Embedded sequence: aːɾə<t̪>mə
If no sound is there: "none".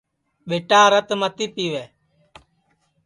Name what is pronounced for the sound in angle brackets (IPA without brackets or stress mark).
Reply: t̪